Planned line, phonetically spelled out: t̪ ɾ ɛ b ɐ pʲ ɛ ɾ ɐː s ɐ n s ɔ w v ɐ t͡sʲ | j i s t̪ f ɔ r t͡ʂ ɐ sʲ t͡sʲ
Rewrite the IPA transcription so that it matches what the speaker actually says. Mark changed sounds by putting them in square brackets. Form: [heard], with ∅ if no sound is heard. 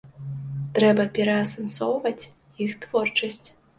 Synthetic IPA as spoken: t̪ ɾ ɛ b ɐ pʲ ɛ ɾ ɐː s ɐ n s ɔ w v ɐ t͡sʲ | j i [x] t̪ [v] ɔ r t͡ʂ ɐ sʲ t͡sʲ